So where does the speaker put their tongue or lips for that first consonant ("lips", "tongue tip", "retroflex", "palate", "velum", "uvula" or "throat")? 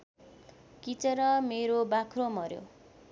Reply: velum